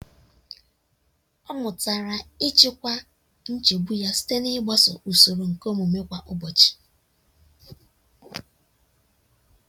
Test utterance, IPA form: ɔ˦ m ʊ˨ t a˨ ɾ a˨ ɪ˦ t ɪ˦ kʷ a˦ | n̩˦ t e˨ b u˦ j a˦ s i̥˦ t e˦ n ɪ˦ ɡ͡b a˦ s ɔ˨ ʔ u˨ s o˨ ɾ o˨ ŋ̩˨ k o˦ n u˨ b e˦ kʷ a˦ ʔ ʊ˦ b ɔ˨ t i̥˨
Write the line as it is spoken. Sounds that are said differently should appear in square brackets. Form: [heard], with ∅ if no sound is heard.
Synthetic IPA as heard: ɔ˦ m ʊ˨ t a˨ ɾ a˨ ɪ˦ [t͡ʃ] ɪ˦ kʷ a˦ | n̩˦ [t͡ʃ] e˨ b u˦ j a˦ s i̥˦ t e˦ n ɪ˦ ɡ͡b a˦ s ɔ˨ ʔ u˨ s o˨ ɾ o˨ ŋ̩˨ k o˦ [m] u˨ [m] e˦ kʷ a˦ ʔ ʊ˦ b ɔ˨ [t͡ʃ] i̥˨

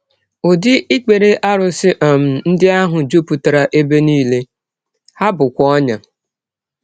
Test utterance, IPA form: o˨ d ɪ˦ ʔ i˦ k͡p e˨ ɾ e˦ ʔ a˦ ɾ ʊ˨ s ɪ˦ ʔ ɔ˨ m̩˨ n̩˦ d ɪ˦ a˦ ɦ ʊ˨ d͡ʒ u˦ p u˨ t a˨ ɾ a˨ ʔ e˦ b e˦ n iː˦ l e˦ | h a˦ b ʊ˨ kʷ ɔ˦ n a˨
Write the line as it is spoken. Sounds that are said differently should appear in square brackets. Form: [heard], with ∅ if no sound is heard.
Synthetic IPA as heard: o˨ d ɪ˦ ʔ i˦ k͡p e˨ ɾ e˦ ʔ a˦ ɾ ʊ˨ s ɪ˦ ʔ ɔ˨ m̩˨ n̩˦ d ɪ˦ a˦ ɦ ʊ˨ d͡ʒ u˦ p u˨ t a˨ ɾ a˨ ʔ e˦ b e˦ n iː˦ l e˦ | h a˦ b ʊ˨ kʷ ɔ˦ [ɲ] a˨

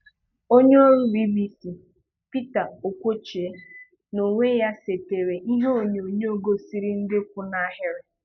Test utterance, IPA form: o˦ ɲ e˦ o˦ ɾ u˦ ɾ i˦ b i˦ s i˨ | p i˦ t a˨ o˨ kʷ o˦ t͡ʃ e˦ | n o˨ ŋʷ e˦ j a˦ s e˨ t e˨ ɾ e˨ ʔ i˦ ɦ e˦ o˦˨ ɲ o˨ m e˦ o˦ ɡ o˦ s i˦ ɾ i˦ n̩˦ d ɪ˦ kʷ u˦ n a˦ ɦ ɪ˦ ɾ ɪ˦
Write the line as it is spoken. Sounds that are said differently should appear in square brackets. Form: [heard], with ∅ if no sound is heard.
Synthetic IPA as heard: o˦ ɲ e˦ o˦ ɾ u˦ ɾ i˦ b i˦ s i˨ | p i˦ t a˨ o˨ kʷ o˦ t͡ʃ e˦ | n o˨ ŋʷ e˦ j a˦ s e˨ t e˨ ɾ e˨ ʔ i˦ ɦ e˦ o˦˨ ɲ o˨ [ɲ] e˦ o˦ ɡ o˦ s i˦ ɾ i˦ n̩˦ d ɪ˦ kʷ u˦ n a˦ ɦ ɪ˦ ɾ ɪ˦

